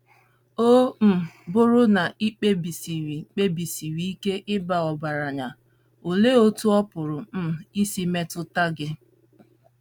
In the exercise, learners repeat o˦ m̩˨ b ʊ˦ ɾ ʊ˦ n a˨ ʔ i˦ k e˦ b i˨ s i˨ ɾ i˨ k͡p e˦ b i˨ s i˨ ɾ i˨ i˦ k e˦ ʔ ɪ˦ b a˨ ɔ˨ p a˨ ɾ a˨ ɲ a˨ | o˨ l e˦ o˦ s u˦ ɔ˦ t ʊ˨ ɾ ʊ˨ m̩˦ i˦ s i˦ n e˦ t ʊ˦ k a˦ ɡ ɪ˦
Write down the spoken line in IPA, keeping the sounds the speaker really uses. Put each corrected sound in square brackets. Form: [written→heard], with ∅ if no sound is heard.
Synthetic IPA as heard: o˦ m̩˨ b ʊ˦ ɾ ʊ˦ n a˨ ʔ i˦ [k→k͡p] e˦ b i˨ s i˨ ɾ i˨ k͡p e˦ b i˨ s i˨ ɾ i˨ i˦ k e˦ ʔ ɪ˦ b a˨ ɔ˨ [p→b] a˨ ɾ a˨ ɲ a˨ | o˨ l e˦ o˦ [s→t] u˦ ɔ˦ [t→p] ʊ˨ ɾ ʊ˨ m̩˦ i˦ s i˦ [n→m] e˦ t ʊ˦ [k→t] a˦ ɡ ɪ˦